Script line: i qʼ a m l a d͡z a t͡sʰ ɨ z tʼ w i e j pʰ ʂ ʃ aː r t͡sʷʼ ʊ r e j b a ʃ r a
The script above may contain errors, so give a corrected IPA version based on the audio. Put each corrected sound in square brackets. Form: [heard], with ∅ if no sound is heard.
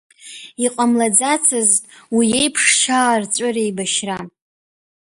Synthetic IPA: i qʼ a m l a d͡z a t͡sʰ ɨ z tʼ w i e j pʰ ʂ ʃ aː r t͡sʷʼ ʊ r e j b a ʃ r a